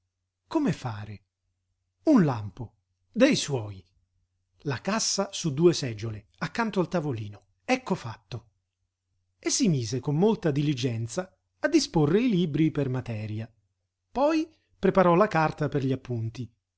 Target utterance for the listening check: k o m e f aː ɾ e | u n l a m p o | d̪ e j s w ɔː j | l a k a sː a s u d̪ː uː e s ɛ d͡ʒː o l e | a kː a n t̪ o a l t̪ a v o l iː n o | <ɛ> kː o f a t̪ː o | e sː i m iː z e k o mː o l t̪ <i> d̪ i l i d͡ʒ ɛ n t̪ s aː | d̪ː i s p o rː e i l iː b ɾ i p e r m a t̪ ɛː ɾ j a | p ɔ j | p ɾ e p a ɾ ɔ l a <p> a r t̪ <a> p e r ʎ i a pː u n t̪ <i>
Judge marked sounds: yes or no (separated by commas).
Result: yes, no, no, yes, yes